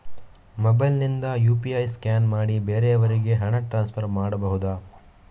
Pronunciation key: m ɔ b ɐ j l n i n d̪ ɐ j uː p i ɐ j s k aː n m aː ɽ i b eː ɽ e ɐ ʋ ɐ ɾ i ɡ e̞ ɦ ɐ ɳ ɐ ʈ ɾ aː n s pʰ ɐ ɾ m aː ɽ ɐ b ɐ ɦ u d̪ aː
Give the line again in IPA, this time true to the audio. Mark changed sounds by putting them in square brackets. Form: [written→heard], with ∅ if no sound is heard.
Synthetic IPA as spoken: m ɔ b ɐ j l n i n d̪ ɐ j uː p i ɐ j s k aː n m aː ɽ i b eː [ɽ→ɾ] e ɐ ʋ ɐ ɾ i ɡ e̞ ɦ ɐ ɳ ɐ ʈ ɾ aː n s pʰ ɐ ɾ m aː ɽ ɐ b ɐ ɦ u d̪ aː